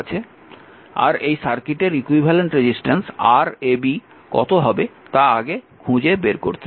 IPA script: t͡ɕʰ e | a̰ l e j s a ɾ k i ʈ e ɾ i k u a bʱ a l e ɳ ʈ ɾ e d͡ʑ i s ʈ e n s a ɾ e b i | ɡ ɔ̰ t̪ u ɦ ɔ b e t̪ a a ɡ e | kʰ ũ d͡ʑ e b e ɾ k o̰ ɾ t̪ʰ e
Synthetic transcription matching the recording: t͡ɕʰ e | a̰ ɾ e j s a ɾ k i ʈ e ɾ i k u i bʱ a l e ɳ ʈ ɾ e d͡ʑ i s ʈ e n s a ɾ e b i | k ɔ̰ t̪ o ɦ ɔ b e t̪ a a ɡ e | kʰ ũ d͡ʑ e b e ɾ k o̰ ɾ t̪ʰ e